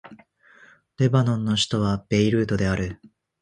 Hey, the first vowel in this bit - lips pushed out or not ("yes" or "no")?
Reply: no